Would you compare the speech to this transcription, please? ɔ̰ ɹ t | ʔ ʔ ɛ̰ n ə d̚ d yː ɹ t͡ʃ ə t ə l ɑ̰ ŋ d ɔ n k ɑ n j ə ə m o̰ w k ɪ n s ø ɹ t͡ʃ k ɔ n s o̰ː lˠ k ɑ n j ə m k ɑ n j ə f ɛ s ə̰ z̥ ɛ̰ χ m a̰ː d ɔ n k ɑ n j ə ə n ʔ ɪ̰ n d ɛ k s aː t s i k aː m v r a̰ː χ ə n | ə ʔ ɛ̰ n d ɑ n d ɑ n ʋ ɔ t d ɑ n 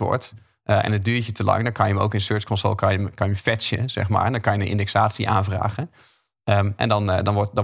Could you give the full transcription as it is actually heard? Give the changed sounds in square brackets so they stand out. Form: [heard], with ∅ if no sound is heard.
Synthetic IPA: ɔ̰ ɹ t | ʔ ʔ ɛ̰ n ə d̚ d yː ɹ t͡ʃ ə t ə l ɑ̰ ŋ d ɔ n k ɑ n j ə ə m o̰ w k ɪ n s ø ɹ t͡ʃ k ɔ n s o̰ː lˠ k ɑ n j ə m k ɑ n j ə f ɛ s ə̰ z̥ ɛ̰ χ m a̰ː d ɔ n k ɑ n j ə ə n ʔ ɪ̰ n d ɛ k s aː t s i [ʔ] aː [n] v r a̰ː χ ə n | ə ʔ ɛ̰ n d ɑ n d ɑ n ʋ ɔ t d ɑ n